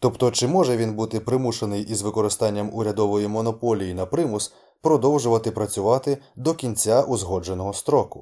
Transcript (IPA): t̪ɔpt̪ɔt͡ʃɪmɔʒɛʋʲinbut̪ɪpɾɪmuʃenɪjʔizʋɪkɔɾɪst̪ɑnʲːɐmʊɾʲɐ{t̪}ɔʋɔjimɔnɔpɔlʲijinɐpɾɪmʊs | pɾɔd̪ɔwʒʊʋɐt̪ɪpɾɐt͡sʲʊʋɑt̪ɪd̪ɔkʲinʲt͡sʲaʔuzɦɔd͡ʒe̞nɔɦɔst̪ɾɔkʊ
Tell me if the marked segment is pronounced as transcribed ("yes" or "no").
no